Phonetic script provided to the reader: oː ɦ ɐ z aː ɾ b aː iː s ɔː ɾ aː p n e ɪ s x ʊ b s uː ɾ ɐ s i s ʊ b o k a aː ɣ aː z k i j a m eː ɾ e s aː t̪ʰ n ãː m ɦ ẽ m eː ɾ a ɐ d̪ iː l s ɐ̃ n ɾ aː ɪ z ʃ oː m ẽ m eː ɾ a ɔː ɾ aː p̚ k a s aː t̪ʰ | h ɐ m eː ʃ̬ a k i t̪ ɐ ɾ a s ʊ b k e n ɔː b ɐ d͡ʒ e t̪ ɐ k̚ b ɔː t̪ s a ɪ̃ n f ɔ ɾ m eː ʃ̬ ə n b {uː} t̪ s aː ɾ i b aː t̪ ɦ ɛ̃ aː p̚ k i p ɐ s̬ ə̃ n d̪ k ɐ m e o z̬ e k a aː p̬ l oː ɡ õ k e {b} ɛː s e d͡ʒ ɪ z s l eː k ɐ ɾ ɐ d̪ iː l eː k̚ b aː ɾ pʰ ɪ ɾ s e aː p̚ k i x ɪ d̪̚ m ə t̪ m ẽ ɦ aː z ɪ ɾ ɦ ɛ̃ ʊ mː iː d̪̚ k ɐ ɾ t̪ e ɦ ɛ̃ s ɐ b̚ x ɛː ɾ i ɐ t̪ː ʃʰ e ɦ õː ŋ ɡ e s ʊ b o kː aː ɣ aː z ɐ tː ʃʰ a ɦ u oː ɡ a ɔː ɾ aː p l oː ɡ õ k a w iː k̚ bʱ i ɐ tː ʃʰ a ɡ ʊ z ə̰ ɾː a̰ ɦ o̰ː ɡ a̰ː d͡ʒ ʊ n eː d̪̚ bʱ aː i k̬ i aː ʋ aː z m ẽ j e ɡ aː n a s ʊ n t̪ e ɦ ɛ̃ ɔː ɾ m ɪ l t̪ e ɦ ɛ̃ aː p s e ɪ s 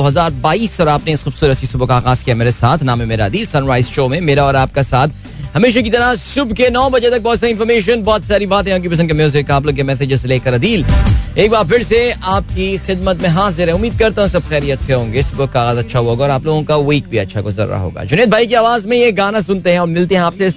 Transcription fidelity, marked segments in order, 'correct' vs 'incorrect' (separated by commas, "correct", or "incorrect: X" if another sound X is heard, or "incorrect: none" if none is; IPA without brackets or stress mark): incorrect: ɔː, incorrect: m